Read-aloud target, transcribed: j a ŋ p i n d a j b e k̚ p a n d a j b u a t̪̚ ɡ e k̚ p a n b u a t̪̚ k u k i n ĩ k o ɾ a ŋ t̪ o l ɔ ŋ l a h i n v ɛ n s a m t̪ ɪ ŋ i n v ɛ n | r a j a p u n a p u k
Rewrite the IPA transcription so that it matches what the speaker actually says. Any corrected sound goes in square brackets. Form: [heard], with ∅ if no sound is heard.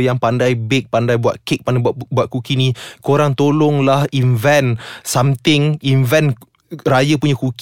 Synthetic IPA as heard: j a ŋ p [a] n d a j b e k̚ p a n d a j b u a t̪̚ [k] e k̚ p a n b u a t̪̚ k u k i n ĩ k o ɾ a ŋ t̪ o l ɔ ŋ l a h i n v ɛ n s a m t̪ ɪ ŋ i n v ɛ n | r a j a p u [ɲ] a [k] u k